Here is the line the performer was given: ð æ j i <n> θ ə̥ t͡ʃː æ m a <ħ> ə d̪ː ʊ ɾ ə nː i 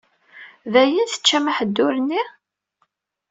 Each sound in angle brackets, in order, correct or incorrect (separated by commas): correct, correct